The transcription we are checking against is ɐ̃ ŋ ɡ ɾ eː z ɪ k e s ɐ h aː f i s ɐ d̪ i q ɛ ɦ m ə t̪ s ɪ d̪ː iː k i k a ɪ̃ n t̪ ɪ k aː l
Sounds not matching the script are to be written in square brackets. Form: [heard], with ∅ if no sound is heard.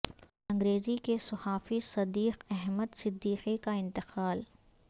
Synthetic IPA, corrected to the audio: ɐ̃ ŋ ɡ ɾ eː z [i] k e s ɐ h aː f i s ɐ d̪ [iː] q ɛ ɦ m ə [d̪] s ɪ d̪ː iː [q] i k a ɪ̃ n t̪ ɪ [q] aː l

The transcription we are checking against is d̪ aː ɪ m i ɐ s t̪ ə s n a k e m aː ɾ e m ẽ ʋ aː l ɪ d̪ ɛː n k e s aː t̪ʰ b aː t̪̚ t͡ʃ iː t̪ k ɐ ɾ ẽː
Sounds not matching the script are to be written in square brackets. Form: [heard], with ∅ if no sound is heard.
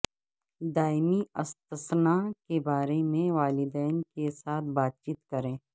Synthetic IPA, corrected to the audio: d̪ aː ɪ m i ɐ s t̪ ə s n a k e [b] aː ɾ e m ẽ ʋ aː l ɪ d̪ ɛː n k e s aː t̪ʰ b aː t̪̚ t͡ʃ iː t̪ k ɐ ɾ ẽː

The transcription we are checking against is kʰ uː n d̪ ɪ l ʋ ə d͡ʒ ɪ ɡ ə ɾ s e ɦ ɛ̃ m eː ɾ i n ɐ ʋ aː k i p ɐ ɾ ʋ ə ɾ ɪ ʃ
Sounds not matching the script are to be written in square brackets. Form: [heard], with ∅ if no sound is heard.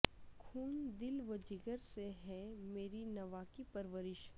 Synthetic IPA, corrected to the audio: kʰ uː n d̪ ɪ l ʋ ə d͡ʒ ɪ ɡ ə ɾ s e ɦ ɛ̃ m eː ɾ i n ɐ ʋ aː k i p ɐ ɾ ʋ ə ɾ ɪ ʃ

